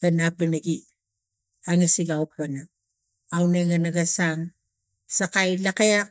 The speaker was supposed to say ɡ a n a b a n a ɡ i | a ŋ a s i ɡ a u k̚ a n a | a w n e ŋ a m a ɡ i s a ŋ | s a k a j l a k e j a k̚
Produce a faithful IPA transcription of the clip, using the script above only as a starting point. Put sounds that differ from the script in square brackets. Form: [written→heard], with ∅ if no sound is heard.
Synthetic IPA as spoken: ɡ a n a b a n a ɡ i | a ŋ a s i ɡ a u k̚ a n a | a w n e ŋ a [m→n] a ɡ [i→a] s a ŋ | s a k a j l a k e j a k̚